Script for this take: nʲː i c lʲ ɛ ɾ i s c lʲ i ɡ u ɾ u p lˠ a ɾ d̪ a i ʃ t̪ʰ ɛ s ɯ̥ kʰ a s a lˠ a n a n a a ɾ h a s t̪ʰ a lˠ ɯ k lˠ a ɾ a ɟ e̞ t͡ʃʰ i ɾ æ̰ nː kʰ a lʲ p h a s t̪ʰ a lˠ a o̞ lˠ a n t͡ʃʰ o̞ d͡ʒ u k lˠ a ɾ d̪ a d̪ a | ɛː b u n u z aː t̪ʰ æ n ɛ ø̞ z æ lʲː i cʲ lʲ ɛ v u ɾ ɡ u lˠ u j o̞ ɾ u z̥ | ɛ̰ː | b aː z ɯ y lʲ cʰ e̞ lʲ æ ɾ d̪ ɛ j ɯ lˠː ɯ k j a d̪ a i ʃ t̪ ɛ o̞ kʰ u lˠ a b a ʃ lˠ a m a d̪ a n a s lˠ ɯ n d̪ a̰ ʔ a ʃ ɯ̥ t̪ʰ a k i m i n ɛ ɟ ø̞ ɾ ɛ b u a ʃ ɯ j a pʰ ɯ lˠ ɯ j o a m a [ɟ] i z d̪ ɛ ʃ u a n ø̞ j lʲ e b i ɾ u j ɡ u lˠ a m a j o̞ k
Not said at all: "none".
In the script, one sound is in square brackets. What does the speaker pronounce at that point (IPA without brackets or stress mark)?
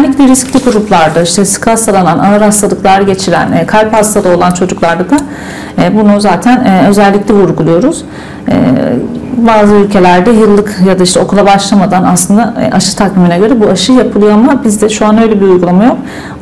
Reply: b